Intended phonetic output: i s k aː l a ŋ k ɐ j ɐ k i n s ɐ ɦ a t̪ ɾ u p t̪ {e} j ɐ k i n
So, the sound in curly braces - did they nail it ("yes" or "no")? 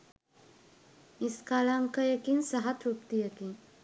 no